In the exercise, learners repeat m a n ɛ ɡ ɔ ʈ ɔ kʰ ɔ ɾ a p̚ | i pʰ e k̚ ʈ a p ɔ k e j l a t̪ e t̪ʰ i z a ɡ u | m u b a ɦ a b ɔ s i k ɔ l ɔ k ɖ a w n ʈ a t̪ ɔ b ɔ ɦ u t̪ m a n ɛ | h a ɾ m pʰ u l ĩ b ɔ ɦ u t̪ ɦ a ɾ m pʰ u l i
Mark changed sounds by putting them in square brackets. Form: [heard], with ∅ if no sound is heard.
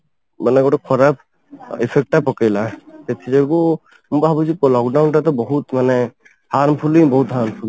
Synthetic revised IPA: m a n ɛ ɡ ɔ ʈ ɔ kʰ ɔ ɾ a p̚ | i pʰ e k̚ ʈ a p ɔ k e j l a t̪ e t̪ʰ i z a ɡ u | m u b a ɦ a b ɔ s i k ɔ l ɔ k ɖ a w n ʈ a t̪ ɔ b ɔ ɦ u t̪ m a n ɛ | h a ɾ m pʰ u l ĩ b ɔ ɦ u t̪ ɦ a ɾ m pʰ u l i